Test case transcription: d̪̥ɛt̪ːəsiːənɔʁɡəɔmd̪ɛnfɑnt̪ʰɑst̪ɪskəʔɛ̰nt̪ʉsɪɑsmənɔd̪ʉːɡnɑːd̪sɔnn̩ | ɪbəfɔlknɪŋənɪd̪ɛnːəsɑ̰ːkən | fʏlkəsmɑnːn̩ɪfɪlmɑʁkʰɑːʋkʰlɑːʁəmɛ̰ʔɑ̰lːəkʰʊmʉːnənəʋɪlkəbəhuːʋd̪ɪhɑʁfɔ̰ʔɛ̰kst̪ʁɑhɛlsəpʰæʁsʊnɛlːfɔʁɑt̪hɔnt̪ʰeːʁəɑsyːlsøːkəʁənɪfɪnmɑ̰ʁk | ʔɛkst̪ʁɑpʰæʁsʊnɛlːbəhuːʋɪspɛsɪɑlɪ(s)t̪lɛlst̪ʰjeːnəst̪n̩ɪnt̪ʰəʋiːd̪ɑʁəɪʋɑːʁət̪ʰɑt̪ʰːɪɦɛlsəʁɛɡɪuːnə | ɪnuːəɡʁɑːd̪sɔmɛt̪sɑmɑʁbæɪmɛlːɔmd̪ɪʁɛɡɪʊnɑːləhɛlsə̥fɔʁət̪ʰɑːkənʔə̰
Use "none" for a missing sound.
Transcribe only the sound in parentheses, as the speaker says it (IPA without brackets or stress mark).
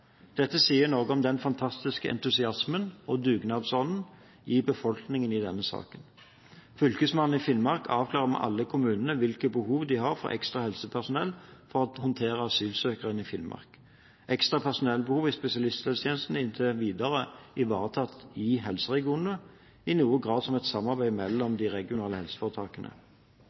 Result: s